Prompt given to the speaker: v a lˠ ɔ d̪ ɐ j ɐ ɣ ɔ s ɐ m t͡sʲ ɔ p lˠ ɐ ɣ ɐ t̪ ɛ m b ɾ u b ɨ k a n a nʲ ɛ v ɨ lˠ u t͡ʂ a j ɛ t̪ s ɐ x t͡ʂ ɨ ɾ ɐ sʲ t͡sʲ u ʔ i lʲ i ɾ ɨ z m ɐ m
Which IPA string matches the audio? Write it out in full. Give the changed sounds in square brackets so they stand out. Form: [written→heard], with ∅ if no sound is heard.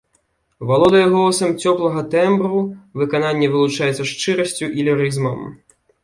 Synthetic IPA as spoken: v a lˠ ɔ d̪ ɐ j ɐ ɣ ɔ s ɐ m t͡sʲ ɔ p lˠ ɐ ɣ ɐ t̪ ɛ m b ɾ u [b→v] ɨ k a n a [nʲ→nʲː] ɛ v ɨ lˠ u t͡ʂ a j ɛ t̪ s ɐ [x→ʂ] t͡ʂ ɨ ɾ ɐ sʲ t͡sʲ u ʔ i lʲ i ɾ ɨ z m ɐ m